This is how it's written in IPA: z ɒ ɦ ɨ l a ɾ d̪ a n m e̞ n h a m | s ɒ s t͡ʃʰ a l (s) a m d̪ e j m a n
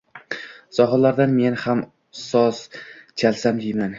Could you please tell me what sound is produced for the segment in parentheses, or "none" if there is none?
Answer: s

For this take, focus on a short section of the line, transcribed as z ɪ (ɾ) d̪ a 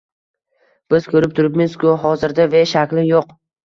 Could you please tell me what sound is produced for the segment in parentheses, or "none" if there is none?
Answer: ɾ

